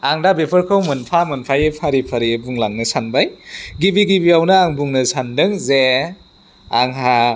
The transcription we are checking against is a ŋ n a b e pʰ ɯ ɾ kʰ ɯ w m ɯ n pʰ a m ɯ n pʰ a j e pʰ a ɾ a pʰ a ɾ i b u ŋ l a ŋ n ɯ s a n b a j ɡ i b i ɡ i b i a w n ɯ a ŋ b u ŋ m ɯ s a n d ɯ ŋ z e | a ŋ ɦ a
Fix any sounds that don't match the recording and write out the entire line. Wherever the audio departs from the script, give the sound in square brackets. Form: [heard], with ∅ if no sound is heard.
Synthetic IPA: a ŋ [d] a b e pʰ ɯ ɾ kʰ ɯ w m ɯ n pʰ a m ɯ n pʰ a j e pʰ a ɾ [i] pʰ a ɾ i b u ŋ l a ŋ n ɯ s a n b a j ɡ i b i ɡ i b i a w n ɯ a ŋ b u ŋ [n] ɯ s a n d ɯ ŋ z e | a ŋ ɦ a

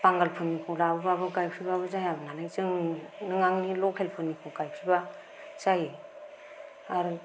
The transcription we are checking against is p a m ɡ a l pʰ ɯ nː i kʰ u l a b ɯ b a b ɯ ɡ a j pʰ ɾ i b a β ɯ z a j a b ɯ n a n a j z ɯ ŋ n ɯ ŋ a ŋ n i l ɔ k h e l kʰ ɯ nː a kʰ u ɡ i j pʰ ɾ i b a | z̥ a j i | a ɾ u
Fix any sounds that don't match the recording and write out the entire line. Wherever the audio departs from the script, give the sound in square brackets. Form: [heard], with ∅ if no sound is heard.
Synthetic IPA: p a [ŋ] ɡ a l pʰ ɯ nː i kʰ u l a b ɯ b a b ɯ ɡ a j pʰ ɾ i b a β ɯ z a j a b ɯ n a n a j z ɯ ŋ n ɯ ŋ a ŋ n i l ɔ k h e l [pʰ] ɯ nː [i] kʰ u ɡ [a] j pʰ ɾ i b a | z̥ a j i | a ɾ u

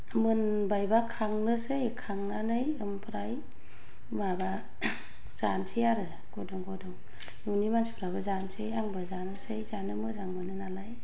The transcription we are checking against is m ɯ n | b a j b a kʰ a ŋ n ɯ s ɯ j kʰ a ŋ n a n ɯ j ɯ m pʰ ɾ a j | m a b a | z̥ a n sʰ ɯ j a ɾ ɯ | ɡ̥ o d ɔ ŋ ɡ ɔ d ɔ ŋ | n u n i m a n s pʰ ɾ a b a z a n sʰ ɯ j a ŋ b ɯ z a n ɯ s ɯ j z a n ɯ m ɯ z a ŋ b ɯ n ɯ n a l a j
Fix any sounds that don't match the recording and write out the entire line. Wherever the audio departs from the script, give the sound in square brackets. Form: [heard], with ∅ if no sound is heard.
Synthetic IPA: m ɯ n | b a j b a kʰ a ŋ n ɯ s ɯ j kʰ a ŋ n a n ɯ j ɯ m pʰ ɾ a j | m a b a | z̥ a n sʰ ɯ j a ɾ ɯ | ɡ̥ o d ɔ ŋ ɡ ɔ d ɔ ŋ | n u n i m a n s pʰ ɾ a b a z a n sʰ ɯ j a ŋ b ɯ z a n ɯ s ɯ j z a n ɯ m ɯ z a ŋ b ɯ n ɯ n a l a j

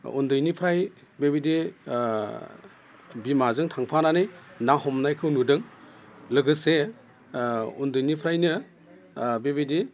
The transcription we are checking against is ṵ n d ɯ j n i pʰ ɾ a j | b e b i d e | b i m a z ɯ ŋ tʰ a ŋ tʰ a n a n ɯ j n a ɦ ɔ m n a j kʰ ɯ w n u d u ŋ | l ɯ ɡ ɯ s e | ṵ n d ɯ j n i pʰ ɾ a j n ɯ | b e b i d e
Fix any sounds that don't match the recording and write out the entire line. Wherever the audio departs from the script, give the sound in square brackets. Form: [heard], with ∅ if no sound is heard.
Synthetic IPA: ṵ n d ɯ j n i pʰ ɾ a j | b e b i d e | b i m a z ɯ ŋ tʰ a ŋ [pʰ] a n a n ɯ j n a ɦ ɔ m n a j kʰ ɯ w n u d [ɯ] ŋ | l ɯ ɡ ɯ s e | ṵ n d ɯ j n i pʰ ɾ a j n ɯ | b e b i d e

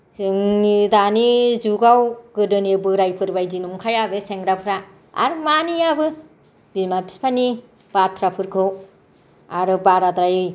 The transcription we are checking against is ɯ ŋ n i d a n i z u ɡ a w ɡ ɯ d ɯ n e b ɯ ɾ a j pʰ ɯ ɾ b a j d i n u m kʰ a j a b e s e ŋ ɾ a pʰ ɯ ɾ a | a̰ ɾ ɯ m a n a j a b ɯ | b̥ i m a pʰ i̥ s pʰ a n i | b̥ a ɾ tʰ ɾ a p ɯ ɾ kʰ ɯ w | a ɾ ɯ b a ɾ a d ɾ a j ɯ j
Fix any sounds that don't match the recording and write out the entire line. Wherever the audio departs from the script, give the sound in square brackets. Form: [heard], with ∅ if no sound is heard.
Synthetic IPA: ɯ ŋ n i d a n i z u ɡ a w ɡ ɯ d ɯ n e b ɯ ɾ a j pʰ ɯ ɾ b a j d i n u m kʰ a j a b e s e ŋ ɾ a pʰ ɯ ɾ a | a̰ ɾ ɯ m a n [i] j a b ɯ | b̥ i m a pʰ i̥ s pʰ a n i | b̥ a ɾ tʰ ɾ a [pʰ] ɯ ɾ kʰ ɯ w | a ɾ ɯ b a ɾ a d ɾ a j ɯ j

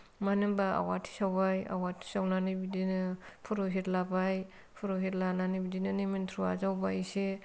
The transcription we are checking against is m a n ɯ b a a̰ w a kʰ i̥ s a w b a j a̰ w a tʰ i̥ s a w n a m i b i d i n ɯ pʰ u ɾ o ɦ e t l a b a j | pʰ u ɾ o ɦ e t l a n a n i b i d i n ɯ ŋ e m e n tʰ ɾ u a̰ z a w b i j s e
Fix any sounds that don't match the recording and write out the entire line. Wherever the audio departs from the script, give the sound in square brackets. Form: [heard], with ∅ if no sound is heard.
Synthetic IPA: m a n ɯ b a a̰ w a [tʰ] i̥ s a w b a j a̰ w a tʰ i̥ s a w n a [n] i b i d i n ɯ pʰ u ɾ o ɦ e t l a b a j | pʰ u ɾ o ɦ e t l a n a n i b i d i n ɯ [n] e m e n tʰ ɾ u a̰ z a w b [a] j s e

